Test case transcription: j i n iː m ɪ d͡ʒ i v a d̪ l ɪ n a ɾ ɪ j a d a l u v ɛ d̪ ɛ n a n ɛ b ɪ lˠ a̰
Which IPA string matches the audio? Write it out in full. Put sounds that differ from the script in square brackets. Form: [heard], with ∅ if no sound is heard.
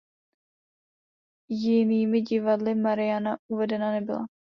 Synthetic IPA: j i n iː m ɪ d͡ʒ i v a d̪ l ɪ [m] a ɾ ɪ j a [n] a [∅] u v ɛ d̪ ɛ n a n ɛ b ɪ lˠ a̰